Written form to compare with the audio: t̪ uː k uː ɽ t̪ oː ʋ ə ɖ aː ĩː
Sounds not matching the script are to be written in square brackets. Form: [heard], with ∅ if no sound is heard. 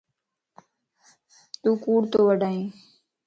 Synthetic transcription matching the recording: t̪ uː k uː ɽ t̪ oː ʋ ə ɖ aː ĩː